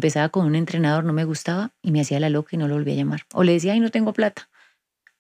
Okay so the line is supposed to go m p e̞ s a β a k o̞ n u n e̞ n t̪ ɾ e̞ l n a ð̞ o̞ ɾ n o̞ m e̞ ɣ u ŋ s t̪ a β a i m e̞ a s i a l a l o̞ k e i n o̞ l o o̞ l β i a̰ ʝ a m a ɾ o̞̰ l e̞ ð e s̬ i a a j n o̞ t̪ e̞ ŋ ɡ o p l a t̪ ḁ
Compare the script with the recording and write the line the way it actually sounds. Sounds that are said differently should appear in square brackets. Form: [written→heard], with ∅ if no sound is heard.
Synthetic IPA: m p e̞ s a β a k o̞ n u n e̞ n t̪ ɾ e̞ [l→∅] n a ð̞ o̞ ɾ n o̞ m e̞ ɣ u [ŋ→∅] s t̪ a β a i m e̞ a s i a l a l o̞ k [e→a] i n o̞ l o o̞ l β i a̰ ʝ a m a ɾ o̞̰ l e̞ ð e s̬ i a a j n o̞ t̪ e̞ ŋ ɡ o p l a t̪ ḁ